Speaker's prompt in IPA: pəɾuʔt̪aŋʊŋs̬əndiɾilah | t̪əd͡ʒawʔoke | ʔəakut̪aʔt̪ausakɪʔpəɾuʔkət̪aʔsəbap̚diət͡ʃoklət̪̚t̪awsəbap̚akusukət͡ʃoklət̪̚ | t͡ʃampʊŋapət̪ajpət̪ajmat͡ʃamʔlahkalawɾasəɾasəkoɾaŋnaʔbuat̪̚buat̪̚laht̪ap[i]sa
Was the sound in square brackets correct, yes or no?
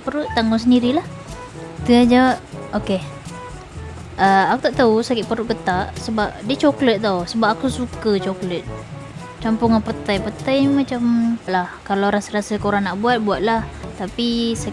yes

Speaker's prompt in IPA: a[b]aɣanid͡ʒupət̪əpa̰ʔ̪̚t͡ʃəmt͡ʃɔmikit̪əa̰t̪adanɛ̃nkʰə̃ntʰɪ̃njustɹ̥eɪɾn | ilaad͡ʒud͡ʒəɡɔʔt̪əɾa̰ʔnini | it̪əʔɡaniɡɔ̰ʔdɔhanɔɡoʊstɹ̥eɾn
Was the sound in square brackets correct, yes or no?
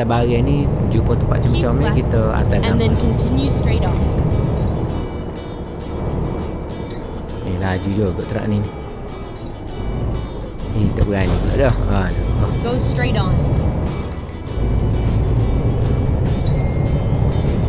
yes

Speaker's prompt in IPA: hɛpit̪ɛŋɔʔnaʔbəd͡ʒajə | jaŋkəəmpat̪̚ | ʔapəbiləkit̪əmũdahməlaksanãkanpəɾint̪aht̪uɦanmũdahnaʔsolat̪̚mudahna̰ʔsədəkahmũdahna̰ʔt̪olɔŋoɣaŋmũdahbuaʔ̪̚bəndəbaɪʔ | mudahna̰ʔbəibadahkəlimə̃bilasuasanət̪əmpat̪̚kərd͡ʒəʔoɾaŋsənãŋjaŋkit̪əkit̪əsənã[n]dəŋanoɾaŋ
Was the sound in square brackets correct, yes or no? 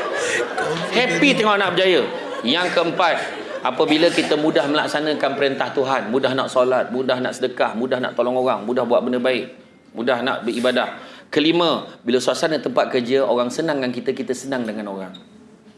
no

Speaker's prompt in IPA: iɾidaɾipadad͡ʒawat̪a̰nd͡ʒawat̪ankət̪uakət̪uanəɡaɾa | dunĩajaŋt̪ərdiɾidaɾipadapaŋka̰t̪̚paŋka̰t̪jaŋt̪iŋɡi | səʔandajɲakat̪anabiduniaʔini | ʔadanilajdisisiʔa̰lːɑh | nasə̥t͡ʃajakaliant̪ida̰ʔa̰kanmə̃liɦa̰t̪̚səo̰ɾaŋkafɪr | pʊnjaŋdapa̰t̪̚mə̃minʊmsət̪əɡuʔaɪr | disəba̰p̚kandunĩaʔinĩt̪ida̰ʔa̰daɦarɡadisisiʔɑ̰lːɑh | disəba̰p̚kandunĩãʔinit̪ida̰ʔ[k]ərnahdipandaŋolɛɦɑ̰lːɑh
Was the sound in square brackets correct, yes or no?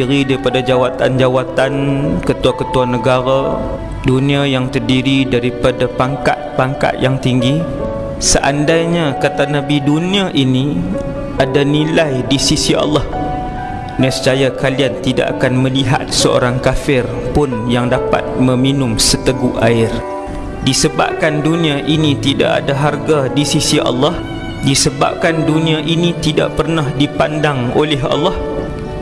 no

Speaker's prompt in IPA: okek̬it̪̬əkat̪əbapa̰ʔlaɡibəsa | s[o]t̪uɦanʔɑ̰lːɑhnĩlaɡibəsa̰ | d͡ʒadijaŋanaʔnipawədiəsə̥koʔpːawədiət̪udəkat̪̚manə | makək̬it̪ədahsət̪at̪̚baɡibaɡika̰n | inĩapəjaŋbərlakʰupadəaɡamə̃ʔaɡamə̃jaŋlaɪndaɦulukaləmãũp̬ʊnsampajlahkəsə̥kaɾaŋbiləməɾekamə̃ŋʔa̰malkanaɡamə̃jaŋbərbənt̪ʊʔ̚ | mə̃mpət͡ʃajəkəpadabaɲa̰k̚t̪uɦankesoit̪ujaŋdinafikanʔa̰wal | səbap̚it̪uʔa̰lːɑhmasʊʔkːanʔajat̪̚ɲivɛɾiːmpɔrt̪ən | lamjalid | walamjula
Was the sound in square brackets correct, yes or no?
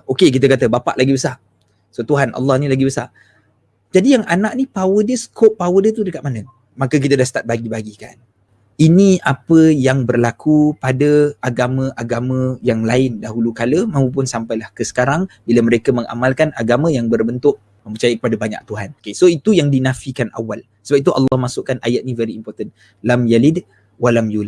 yes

